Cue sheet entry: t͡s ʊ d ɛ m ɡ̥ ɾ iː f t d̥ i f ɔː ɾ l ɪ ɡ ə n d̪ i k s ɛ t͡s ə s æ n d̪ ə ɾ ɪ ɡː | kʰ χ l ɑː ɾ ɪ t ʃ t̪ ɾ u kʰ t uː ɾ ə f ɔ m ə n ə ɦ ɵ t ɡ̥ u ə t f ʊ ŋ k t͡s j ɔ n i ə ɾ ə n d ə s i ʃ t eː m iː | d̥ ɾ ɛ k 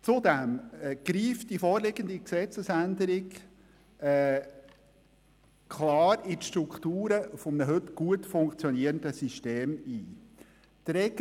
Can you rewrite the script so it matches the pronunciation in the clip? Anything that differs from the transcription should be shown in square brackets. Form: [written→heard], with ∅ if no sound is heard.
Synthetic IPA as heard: t͡s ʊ d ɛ m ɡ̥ ɾ iː f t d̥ i f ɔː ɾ l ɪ ɡ ə n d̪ i k s ɛ t͡s ə s æ n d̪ ə ɾ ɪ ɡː | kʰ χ l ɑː ɾ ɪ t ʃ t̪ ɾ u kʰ t uː ɾ ə f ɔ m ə n ə ɦ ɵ t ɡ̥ u ə t f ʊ ŋ k t͡s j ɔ n i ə ɾ ə n d ə s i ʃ t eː m iː | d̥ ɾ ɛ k